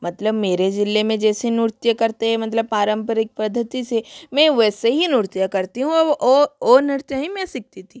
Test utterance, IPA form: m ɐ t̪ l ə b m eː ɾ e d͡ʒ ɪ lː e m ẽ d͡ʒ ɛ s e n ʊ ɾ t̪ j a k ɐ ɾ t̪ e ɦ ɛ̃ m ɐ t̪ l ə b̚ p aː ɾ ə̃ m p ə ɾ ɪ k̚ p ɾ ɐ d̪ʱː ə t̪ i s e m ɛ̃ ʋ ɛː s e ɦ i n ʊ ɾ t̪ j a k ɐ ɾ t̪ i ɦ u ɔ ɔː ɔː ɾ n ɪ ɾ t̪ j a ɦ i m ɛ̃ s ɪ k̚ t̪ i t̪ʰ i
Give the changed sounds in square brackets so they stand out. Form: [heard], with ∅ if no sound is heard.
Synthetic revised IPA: m ɐ t̪ l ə b m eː ɾ e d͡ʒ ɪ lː e m ẽ d͡ʒ [ɛː] s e n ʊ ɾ t̪ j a k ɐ ɾ t̪ e ɦ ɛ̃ m ɐ t̪ l ə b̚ p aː ɾ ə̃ m p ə ɾ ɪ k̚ p ɾ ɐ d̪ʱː ə t̪ i s e m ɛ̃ ʋ ɛː s e ɦ i n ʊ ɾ t̪ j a k ɐ ɾ t̪ i ɦ [ũ] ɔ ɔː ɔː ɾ n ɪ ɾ t̪ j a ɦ i m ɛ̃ s ɪ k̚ t̪ i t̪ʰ i